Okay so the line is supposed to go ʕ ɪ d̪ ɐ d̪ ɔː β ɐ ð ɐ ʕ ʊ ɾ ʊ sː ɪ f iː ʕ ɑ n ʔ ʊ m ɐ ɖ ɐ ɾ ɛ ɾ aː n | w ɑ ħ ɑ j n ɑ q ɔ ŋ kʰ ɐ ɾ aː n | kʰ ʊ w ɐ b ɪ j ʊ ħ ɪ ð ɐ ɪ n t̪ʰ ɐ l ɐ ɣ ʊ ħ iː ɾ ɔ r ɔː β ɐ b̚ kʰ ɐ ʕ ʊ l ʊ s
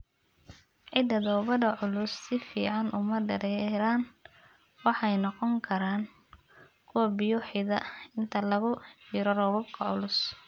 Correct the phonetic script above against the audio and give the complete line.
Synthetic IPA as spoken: ʕ ɪ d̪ ɐ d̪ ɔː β ɐ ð ɐ ʕ ʊ l ʊ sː ɪ f iː ʕ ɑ n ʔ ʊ m ɐ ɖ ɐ ɾ ɛ ɾ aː n | w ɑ ħ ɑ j n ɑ q ɔ ŋ kʰ ɐ ɾ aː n | kʰ ʊ w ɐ b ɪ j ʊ ħ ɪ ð ɐ ɪ n t̪ʰ ɐ l ɐ ɣ ʊ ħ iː ɾ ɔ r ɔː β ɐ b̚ kʰ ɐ ʕ ʊ l ʊ s